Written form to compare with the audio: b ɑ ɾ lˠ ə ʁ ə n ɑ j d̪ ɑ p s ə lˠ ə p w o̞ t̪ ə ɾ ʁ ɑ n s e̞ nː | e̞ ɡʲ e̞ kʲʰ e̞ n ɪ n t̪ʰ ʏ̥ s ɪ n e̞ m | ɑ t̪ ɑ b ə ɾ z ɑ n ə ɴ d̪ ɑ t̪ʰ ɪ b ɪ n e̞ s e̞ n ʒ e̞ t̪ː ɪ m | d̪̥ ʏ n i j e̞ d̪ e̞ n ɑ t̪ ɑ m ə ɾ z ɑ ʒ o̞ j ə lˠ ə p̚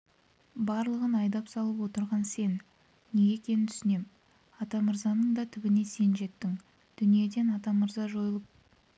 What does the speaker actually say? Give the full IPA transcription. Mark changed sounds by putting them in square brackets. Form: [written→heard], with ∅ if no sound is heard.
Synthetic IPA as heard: b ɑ ɾ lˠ ə ʁ ə n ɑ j d̪ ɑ p s [ə→ɑ] lˠ ə p w o̞ t̪ ə ɾ ʁ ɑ n s e̞ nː | e̞ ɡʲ e̞ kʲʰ e̞ n ɪ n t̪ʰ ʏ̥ s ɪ n e̞ m | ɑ t̪ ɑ [b→m] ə ɾ z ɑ n ə ɴ d̪ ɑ t̪ʰ ɪ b ɪ n e̞ s e̞ n ʒ e̞ t̪ː ɪ [m→ŋ] | d̪̥ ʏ n i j e̞ d̪ e̞ n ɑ t̪ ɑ m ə ɾ z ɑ ʒ o̞ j ə lˠ ə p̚